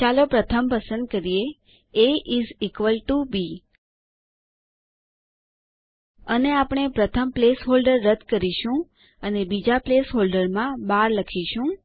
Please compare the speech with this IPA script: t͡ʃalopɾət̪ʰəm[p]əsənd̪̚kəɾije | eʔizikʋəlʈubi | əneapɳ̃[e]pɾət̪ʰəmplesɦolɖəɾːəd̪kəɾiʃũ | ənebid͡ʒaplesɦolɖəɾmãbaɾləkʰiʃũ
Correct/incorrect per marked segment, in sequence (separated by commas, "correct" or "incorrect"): correct, correct